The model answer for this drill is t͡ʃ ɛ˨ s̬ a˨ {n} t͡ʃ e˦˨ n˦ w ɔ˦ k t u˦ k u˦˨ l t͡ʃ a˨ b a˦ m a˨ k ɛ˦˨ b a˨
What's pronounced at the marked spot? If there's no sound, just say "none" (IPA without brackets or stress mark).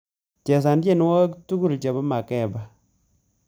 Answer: n